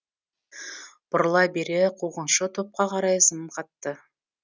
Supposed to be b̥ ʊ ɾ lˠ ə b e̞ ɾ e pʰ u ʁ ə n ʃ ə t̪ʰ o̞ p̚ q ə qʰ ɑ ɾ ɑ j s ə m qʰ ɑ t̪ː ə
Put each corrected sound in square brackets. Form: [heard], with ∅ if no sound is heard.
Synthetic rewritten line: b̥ ʊ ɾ lˠ [ɑ] b e̞ ɾ e [qʰ] u ʁ ə n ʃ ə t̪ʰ o̞ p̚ q [ɑ] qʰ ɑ ɾ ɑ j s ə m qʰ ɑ t̪ː ə

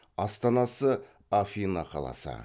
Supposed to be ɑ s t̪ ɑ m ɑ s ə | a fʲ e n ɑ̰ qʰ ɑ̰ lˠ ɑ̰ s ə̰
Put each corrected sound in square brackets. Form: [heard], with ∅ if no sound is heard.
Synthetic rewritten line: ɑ s t̪ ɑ [n] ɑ s ə | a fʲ [i] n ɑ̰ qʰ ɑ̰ lˠ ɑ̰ s ə̰

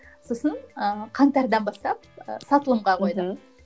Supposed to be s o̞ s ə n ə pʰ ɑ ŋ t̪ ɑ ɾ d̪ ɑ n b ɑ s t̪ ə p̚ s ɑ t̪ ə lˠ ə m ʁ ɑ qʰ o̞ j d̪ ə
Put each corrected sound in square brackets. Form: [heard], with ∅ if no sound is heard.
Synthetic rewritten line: s o̞ s ə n ə [qʰ] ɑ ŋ t̪ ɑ ɾ d̪ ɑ n b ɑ s t̪ [ɑ] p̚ s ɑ t̪ ə lˠ ə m ʁ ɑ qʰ o̞ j d̪ ə

